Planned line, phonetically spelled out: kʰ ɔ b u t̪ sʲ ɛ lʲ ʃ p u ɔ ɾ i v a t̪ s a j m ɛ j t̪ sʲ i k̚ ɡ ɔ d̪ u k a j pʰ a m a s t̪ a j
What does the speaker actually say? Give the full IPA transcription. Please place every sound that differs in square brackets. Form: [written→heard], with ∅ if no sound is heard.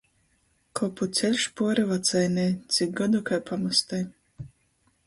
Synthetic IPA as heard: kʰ ɔ [b→p] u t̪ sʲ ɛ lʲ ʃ p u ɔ ɾ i v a t̪ s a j [m→n] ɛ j t̪ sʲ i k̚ ɡ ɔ d̪ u k a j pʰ a m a s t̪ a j